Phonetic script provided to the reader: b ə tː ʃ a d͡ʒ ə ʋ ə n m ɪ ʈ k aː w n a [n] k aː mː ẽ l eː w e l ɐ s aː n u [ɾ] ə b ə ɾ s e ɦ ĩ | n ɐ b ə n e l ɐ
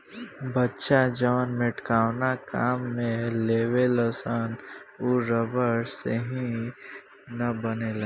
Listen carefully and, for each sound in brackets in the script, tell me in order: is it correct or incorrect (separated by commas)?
incorrect, correct